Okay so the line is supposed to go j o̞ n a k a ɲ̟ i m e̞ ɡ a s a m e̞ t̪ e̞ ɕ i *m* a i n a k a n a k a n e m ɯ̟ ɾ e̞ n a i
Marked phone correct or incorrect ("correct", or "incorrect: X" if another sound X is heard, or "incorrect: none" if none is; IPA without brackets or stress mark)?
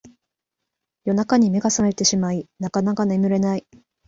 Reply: correct